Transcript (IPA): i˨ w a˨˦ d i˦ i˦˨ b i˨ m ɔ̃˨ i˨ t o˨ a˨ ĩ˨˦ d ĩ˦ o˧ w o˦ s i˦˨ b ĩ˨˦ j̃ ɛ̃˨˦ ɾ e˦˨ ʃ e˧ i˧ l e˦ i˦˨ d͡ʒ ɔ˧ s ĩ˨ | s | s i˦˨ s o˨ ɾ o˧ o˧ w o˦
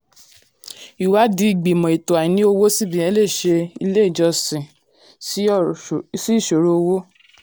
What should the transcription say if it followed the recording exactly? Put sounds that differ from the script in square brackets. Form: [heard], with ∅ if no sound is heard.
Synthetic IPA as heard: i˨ w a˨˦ d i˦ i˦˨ [ɡ͡b] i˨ m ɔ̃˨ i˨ t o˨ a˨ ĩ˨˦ [n] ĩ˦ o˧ w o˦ s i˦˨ b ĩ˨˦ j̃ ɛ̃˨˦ [l] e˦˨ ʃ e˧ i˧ l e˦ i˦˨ d͡ʒ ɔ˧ s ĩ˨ | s | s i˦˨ [ʃ] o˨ ɾ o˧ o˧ w o˦